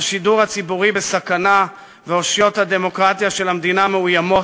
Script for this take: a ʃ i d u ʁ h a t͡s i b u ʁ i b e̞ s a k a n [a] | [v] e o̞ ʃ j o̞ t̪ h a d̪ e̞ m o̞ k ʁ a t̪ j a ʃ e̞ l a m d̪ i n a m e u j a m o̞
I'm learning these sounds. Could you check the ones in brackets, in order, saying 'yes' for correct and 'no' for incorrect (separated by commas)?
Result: yes, yes